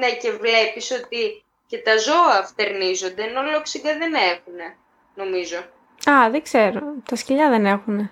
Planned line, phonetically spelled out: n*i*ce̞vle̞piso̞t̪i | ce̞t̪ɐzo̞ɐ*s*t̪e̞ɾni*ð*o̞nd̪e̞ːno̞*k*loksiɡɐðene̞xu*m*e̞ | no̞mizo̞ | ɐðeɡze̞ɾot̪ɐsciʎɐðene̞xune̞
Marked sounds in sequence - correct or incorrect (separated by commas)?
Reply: incorrect, incorrect, incorrect, incorrect, incorrect